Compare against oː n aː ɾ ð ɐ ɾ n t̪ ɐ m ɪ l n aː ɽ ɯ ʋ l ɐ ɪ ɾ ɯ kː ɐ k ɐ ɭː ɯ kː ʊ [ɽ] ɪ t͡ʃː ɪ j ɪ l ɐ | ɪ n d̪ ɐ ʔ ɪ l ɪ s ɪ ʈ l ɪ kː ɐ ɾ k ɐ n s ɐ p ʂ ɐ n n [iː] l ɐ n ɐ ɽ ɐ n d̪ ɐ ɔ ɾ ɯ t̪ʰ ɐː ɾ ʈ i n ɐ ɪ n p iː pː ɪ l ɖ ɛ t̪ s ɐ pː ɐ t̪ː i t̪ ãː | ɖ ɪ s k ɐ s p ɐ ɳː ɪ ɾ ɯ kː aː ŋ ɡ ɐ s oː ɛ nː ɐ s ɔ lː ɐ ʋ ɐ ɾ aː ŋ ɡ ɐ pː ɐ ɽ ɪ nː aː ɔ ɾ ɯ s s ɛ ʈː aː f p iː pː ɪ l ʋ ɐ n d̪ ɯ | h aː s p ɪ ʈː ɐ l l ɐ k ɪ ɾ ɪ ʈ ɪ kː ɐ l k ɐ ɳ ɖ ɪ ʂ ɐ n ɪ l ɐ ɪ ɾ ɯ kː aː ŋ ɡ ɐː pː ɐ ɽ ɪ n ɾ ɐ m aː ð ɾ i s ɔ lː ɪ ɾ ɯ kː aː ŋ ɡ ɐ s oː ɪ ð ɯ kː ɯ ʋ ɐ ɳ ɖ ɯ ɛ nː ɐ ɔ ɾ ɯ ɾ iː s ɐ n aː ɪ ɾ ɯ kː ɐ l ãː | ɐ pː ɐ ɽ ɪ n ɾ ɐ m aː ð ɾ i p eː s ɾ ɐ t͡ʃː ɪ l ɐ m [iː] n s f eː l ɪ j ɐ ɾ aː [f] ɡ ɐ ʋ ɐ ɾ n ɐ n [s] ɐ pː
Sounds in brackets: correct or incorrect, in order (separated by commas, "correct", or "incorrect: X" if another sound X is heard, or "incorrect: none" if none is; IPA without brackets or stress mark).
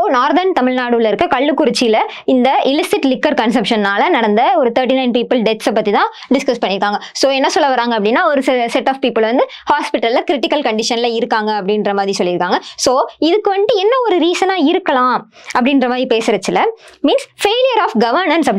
incorrect: ɾ, incorrect: aː, correct, correct, correct